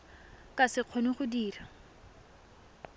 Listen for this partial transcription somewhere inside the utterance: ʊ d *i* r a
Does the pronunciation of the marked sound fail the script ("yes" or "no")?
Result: yes